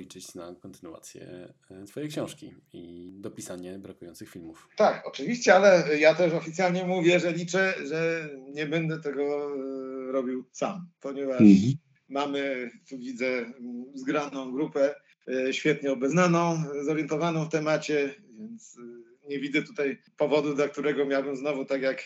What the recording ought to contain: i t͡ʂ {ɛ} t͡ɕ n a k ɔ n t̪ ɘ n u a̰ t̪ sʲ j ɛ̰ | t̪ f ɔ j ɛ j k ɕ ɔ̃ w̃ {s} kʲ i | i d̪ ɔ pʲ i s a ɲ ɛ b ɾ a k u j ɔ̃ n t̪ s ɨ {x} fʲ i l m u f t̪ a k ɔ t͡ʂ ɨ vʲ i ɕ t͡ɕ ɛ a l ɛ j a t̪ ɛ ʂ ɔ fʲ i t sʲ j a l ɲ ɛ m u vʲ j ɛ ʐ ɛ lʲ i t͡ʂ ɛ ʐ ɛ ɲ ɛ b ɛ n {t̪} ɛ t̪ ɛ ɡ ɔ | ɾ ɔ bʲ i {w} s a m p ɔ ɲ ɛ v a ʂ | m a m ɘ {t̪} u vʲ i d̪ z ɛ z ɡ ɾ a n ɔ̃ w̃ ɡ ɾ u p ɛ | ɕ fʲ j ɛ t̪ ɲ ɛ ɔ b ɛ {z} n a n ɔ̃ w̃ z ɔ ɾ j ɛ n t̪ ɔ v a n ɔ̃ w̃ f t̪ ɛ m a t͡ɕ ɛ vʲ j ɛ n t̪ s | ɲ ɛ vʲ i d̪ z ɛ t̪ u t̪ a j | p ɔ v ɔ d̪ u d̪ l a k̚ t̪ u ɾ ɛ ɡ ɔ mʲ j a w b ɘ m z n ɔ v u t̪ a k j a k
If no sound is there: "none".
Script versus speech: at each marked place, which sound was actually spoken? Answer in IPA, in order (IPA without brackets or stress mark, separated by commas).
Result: ɛ, ʂ, x, d̪, w, t̪, z